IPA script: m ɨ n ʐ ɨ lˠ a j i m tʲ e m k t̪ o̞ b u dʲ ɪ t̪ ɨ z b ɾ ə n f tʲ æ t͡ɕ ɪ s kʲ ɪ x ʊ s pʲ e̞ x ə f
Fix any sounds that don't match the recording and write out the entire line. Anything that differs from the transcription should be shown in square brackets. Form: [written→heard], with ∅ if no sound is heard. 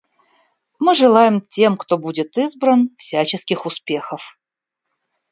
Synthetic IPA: m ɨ [n→∅] ʐ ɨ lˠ a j [i→ɪ] m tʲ e m k t̪ o̞ b u dʲ ɪ t̪ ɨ z b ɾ ə n f [tʲ→sʲ] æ t͡ɕ ɪ s kʲ ɪ x ʊ s pʲ e̞ x ə f